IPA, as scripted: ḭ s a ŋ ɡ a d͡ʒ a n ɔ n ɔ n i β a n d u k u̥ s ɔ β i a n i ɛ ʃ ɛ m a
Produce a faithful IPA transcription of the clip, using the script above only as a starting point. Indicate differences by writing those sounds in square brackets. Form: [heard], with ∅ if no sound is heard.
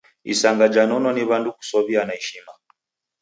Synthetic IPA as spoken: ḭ s a ŋ ɡ a d͡ʒ a n ɔ n ɔ n i β a n d u k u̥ s ɔ β i a n [a] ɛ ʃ [i] m a